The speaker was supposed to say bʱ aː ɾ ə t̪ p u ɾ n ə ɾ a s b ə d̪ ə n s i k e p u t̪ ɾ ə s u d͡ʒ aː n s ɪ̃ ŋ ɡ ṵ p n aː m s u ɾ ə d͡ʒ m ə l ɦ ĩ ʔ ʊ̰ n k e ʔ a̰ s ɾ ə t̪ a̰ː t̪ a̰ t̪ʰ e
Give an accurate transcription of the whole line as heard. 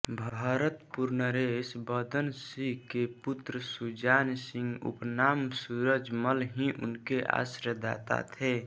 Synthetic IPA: bʱ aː ɾ ə t̪ p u ɾ n ə ɾ e s b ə d̪ ə n s i k e p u t̪ ɾ ə s u d͡ʒ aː n s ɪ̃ ŋ ɡ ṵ p n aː m s u ɾ ə d͡ʒ m ə l ɦ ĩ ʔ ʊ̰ n k e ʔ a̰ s ɾ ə d̪ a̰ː t̪ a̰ t̪ʰ e